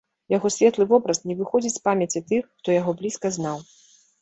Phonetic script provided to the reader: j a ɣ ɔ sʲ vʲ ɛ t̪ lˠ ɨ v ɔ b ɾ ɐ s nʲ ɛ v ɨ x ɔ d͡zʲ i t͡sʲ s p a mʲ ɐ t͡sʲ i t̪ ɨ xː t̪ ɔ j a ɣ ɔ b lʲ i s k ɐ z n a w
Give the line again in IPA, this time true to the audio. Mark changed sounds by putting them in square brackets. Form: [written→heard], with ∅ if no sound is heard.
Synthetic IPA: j a ɣ ɔ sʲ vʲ ɛ t̪ lˠ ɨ v ɔ b ɾ ɐ s nʲ ɛ v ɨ x ɔ d͡zʲ i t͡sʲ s p a mʲ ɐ t͡sʲ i t̪ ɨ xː t̪ ɔ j a ɣ ɔ b lʲ i s k ɐ z n a w